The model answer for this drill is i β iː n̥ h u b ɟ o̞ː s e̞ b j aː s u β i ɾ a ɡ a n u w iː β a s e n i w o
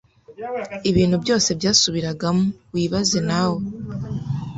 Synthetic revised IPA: i β iː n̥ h u b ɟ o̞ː s e̞ b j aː s u β i ɾ a ɡ a m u w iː β a z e n a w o